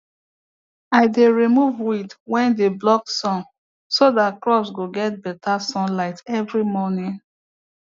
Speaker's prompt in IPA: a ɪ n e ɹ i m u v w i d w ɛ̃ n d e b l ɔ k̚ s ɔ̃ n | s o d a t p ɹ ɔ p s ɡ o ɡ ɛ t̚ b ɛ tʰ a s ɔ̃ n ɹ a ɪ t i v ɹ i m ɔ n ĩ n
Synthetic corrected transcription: a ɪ d e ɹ i m u v w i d w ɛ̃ n d e b l ɔ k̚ s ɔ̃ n | s o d a t k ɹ ɔ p s ɡ o ɡ ɛ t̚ b ɛ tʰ a s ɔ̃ n l a ɪ t ɛ v ɹ i m ɔ n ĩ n